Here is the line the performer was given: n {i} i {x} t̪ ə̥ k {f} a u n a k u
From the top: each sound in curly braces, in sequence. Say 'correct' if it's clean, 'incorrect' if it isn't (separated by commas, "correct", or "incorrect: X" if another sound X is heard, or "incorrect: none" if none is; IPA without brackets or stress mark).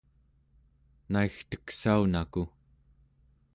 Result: incorrect: a, correct, incorrect: s